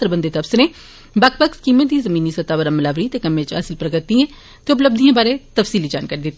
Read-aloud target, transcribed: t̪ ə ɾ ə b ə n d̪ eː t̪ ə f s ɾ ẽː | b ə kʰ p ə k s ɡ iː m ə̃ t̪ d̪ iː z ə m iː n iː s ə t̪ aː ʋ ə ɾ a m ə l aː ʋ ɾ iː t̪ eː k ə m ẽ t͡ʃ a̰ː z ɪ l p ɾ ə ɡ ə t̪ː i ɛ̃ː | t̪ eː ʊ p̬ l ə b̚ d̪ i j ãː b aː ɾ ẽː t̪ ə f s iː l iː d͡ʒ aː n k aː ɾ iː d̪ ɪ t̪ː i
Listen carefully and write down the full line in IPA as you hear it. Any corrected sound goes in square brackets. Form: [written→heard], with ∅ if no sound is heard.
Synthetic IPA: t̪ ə ɾ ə b ə n d̪ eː t̪ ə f s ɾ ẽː | b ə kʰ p ə k s [ɡ→k] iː m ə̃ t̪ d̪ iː z ə m iː n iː s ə t̪ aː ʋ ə ɾ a m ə l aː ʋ ɾ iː t̪ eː k ə m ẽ t͡ʃ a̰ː [z→s] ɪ l p ɾ ə ɡ ə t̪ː i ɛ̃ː | t̪ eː ʊ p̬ l ə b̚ d̪ i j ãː b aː ɾ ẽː t̪ ə f s iː l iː d͡ʒ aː n k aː ɾ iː d̪ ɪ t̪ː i